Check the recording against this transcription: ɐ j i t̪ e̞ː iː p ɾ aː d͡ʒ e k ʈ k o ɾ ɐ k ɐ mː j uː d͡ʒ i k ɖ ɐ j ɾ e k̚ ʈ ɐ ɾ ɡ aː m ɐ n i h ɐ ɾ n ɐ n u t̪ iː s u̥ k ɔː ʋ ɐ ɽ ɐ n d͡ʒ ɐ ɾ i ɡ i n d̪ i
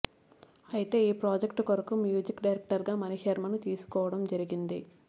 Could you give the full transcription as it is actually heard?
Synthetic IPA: ɐ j i t̪ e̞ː iː p ɾ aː d͡ʒ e k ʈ k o ɾ ɐ k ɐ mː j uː d͡ʒ i k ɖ ɐ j ɾ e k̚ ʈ ɐ ɾ ɡ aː m ɐ n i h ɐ ɾ m ɐ n u t̪ iː s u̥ k ɔː ʋ ɐ ɽ ɐ m d͡ʒ ɐ ɾ i ɡ i n d̪ i